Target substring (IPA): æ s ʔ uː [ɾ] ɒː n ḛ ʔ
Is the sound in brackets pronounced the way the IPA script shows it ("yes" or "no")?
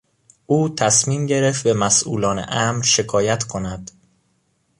no